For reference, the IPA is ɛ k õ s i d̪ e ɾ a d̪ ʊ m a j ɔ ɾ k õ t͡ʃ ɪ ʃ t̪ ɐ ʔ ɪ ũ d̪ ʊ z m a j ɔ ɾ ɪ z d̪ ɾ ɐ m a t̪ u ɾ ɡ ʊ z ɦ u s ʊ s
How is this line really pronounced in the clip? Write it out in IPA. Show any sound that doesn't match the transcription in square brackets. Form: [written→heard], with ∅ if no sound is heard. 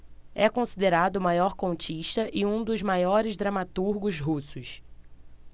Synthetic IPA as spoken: ɛ k õ s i d̪ e ɾ a d̪ ʊ m a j ɔ ɾ k õ t͡ʃ [ɪ→i] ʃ t̪ ɐ ʔ ɪ ũ d̪ ʊ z m a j ɔ ɾ ɪ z d̪ ɾ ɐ m a t̪ u ɾ ɡ ʊ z ɦ u s ʊ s

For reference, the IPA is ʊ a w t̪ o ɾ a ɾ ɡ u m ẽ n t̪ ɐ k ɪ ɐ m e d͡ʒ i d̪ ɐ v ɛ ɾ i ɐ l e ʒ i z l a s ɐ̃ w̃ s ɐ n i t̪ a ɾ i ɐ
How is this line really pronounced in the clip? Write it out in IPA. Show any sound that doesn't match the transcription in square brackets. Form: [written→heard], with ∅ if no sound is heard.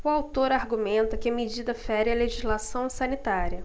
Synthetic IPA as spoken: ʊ a w t̪ o ɾ a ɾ ɡ u m ẽ n t̪ ɐ k ɪ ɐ m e d͡ʒ i d̪ ɐ [v→f] ɛ ɾ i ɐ l e ʒ i z l a s ɐ̃ w̃ s ɐ n i t̪ a ɾ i ɐ

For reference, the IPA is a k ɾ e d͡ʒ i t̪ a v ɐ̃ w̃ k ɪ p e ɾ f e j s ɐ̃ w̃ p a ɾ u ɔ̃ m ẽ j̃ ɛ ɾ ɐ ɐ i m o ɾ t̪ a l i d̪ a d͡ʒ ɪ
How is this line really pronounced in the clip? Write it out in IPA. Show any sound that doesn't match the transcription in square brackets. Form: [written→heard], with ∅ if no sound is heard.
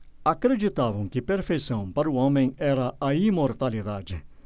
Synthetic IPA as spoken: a k ɾ e d͡ʒ i t̪ a v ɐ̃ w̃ k ɪ p e ɾ f e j s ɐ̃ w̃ p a ɾ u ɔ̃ m ẽ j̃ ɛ ɾ ɐ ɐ i m o ɾ t̪ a l i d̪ a d͡ʒ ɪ

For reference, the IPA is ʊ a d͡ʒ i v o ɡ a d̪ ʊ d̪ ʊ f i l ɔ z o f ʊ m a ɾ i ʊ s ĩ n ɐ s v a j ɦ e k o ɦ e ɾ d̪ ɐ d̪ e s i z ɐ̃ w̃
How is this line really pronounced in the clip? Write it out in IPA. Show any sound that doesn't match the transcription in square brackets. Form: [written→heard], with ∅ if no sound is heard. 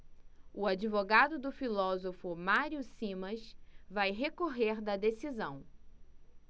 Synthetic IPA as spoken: ʊ a d͡ʒ i v o ɡ a d̪ ʊ d̪ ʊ f i l ɔ z o f ʊ m a ɾ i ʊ s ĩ [n→m] ɐ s v a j ɦ e k o ɦ e ɾ d̪ ɐ d̪ e s i z ɐ̃ w̃

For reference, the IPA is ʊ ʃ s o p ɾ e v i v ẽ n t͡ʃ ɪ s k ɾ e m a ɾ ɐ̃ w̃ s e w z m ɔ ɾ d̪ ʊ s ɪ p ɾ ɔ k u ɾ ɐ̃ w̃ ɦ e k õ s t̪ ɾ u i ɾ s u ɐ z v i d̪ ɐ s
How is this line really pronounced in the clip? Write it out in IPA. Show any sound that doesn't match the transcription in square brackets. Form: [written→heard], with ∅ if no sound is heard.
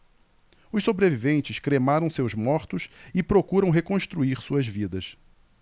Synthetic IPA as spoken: ʊ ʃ s o [p→b] ɾ e v i v ẽ n t͡ʃ ɪ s k ɾ e m a ɾ ɐ̃ w̃ s e w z m ɔ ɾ [d̪→t̪] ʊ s ɪ p ɾ [ɔ→o] k u ɾ ɐ̃ w̃ ɦ e k õ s t̪ ɾ u i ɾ s u ɐ z v i d̪ ɐ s

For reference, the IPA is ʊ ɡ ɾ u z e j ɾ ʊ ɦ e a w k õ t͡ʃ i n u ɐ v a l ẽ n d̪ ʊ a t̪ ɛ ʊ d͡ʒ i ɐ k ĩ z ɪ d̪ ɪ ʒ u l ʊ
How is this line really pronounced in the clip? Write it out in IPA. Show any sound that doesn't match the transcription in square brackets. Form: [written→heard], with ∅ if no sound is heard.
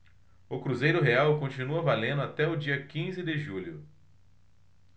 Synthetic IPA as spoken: ʊ [ɡ→k] ɾ u z e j ɾ ʊ ɦ e a w k õ t͡ʃ i n u ɐ v a l ẽ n d̪ ʊ a t̪ ɛ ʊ d͡ʒ i ɐ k ĩ z ɪ d̪ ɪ ʒ u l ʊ

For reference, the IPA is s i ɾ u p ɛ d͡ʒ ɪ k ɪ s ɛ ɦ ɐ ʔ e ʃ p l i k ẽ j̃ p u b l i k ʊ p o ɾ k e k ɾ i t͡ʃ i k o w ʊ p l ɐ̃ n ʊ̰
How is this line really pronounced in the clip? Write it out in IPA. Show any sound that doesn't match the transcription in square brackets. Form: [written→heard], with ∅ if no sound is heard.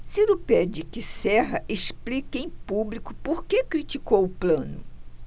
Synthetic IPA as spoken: s i ɾ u p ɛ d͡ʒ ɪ k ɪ s ɛ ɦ ɐ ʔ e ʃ p l i k ẽ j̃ p u b l i k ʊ p o ɾ k e k ɾ i t͡ʃ i k o w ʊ p l ɐ̃ n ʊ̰

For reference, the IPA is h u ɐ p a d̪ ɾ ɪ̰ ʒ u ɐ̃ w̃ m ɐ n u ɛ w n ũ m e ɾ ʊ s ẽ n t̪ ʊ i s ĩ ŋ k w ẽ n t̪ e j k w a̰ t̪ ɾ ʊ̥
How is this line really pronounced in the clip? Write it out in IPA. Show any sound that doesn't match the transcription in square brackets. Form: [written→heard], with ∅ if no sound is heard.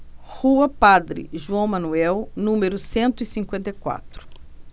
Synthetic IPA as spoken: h u ɐ p a d̪ ɾ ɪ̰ ʒ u ɐ̃ w̃ m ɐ n u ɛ w n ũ m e ɾ ʊ s ẽ n t̪ ʊ i s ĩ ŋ k w ẽ n t̪ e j k w a̰ t̪ ɾ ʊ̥

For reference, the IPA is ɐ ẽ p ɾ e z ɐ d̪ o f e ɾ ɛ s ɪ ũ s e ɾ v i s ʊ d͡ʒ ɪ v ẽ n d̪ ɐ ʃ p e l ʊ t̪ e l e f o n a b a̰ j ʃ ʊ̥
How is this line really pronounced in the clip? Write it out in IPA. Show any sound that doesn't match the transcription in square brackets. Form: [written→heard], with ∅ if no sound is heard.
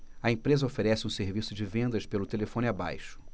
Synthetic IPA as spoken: ɐ ẽ p ɾ e z ɐ [d̪→∅] o f e ɾ ɛ s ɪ ũ s e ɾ v i s ʊ d͡ʒ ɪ v ẽ n d̪ ɐ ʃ p e l ʊ t̪ e l e f [o→õ] n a b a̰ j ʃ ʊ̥

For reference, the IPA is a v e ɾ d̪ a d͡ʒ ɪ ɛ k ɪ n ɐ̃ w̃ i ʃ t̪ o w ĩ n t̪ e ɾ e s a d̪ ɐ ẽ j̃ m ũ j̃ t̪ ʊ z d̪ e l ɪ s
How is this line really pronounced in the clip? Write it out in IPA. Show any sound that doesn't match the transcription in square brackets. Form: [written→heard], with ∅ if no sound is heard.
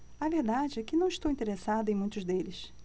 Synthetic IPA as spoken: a v e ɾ d̪ a d͡ʒ ɪ ɛ k ɪ n ɐ̃ w̃ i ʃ t̪ o w ĩ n t̪ e ɾ e s a d̪ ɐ ẽ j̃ m ũ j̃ t̪ ʊ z d̪ e l ɪ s

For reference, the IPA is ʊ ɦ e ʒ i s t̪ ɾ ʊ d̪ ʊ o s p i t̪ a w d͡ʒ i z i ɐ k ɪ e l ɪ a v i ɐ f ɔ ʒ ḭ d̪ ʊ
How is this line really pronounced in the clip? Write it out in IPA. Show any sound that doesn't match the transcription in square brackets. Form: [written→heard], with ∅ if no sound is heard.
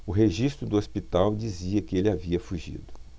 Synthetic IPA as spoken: ʊ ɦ e ʒ i s t̪ ɾ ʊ d̪ ʊ o s p i t̪ a w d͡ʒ i z i ɐ k ɪ e l ɪ a v i ɐ f [ɔ→u] ʒ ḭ d̪ ʊ

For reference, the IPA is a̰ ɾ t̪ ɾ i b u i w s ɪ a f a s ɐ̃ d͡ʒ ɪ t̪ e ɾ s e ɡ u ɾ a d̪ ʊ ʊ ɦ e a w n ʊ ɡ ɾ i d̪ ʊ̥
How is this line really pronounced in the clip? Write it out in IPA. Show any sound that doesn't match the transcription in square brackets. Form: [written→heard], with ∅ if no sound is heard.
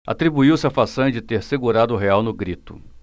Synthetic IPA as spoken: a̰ [ɾ→∅] t̪ ɾ i b u i w s ɪ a f a s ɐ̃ d͡ʒ ɪ t̪ e ɾ s e ɡ u ɾ a d̪ ʊ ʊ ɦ e a w n ʊ ɡ ɾ i [d̪→t̪] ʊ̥

